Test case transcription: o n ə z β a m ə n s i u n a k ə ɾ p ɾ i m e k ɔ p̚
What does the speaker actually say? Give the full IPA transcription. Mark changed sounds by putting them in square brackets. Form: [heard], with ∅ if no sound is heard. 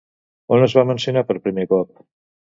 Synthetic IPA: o n ə z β a m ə n s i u n a [p] ə ɾ p ɾ i m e k ɔ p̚

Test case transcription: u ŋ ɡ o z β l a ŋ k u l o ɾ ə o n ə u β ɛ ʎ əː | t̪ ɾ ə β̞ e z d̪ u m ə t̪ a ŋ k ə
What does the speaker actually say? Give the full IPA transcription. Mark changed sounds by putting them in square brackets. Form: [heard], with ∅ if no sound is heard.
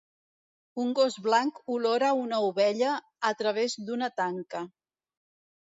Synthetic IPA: u ŋ ɡ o z β l a ŋ k u l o ɾ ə [u] n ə u β ɛ ʎ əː | t̪ ɾ ə β̞ e z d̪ u [n] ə t̪ a ŋ k ə

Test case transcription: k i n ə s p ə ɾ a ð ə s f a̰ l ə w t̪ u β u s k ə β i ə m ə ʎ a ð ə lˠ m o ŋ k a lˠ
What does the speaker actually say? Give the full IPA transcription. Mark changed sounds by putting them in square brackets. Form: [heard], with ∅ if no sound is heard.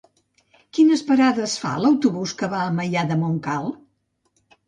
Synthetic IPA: k i n ə s p ə ɾ a ð ə s f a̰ l ə w t̪ u β u s k ə β [a] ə m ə ʎ a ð ə [∅] m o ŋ k a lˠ

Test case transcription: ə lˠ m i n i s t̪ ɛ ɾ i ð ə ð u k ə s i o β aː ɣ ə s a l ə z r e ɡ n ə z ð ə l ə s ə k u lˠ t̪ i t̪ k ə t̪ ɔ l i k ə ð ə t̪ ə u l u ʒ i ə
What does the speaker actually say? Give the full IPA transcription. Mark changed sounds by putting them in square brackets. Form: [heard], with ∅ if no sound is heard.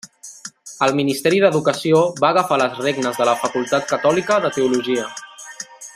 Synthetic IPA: ə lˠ m i n i s t̪ ɛ ɾ i ð ə ð u k ə s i o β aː ɣ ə [f] a l ə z r e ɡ n ə z ð ə l ə [f] ə k u lˠ t̪ [a] t̪ k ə t̪ ɔ l i k ə ð ə t̪ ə u l u ʒ i ə

